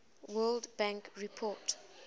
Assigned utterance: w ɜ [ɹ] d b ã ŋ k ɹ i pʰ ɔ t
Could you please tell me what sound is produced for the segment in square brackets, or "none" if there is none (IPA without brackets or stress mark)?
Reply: l